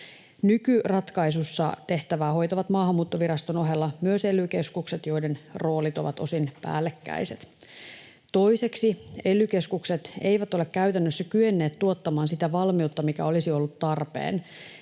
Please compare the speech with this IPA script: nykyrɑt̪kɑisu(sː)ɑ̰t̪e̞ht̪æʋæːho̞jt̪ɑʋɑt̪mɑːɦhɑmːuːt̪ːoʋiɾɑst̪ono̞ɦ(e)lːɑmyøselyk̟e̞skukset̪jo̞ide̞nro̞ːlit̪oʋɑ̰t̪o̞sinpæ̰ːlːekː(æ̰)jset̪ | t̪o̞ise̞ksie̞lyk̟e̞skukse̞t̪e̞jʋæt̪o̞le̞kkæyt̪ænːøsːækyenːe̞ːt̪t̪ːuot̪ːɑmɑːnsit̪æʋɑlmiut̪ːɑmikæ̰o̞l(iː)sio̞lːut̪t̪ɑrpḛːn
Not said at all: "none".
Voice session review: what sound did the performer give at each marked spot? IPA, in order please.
sː, e, æ̰, i

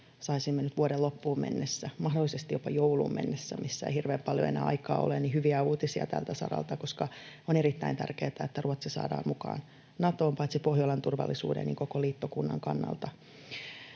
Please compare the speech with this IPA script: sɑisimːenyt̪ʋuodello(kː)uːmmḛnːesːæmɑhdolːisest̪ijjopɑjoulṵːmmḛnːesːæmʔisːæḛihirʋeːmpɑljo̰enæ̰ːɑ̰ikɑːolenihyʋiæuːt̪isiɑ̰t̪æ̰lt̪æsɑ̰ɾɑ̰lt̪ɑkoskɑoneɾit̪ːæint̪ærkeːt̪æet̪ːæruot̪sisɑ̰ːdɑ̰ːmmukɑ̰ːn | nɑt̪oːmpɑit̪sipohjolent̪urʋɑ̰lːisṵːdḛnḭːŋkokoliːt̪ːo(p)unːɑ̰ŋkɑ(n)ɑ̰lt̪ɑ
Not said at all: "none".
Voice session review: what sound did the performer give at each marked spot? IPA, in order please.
pː, k, nː

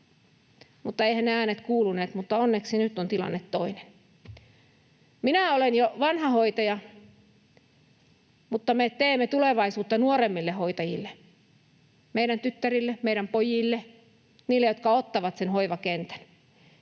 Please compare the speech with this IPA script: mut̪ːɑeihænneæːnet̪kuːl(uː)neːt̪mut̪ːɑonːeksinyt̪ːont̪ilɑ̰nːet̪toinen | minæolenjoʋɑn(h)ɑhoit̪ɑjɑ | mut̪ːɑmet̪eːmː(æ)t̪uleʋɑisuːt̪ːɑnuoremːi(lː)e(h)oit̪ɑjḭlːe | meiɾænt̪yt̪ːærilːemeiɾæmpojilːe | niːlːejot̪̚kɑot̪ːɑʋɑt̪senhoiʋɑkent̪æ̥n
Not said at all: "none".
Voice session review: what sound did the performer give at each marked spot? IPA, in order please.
u, h, e, lː, h

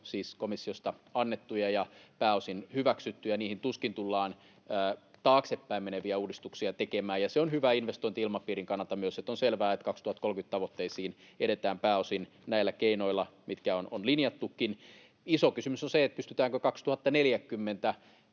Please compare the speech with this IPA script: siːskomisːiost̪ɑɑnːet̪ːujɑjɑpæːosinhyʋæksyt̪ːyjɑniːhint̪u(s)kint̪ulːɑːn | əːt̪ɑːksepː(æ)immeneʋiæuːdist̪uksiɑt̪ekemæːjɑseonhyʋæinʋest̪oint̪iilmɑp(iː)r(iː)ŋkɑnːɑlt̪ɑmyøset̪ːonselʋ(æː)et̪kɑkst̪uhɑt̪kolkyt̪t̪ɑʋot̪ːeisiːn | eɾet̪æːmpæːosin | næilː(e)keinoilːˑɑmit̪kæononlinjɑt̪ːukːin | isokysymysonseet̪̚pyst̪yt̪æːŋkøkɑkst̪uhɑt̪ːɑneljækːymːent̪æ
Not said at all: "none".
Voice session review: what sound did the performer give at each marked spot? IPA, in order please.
s, æ, iː, i, æː, æ

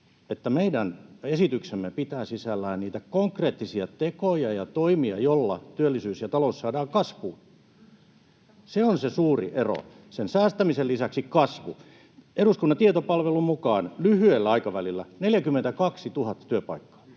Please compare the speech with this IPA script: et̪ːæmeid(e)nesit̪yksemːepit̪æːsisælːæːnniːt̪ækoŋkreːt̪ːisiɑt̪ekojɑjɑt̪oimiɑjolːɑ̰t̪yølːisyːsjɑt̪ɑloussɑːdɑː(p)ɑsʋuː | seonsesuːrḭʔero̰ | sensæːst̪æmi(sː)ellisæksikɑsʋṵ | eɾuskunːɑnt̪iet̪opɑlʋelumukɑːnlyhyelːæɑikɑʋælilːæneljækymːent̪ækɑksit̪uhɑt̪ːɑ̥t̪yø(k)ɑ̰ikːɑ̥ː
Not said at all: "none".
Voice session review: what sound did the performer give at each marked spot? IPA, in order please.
æ, k, s, p

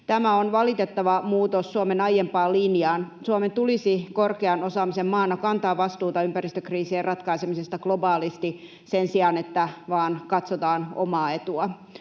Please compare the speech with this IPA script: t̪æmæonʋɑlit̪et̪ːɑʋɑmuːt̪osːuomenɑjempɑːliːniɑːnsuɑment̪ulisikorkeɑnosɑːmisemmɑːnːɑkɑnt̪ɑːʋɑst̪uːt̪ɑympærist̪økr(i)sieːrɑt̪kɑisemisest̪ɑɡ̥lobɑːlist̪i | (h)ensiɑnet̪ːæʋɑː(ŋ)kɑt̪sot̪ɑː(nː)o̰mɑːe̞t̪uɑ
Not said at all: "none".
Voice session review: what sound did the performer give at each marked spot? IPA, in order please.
iː, s, n, n

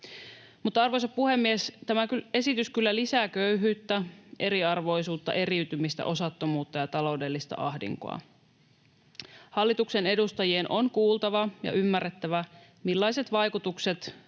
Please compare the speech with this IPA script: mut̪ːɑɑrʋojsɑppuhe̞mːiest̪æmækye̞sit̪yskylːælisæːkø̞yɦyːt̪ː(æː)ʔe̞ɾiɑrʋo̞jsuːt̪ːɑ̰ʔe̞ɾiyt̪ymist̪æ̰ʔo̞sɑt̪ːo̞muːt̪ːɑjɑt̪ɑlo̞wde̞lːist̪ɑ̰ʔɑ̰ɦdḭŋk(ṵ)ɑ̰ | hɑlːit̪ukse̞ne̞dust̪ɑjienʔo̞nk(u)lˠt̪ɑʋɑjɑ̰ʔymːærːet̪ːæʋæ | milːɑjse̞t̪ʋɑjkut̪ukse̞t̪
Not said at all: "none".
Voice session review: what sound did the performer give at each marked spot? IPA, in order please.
æ, o̰, uː

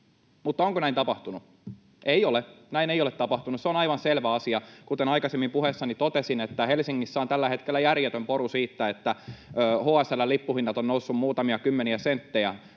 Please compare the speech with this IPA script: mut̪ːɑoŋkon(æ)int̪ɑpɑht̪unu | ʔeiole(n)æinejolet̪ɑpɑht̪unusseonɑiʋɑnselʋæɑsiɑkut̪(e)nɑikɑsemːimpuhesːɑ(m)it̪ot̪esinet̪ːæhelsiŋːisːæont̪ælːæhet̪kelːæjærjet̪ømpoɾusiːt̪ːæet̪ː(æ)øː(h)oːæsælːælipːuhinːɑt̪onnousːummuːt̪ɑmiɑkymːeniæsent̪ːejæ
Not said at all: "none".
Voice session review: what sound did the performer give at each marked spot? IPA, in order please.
æ, n, e, n, æ, h

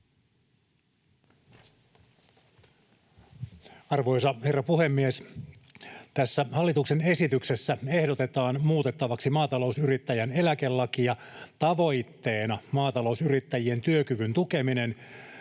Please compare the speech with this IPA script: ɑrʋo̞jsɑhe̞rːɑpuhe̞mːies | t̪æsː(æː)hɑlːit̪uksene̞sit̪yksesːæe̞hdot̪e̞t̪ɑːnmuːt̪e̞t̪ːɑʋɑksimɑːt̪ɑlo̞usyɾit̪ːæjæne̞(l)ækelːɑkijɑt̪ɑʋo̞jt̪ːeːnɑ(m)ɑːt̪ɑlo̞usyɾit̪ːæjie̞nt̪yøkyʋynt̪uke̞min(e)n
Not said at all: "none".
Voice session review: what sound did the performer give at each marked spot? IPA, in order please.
æ, l, m, e

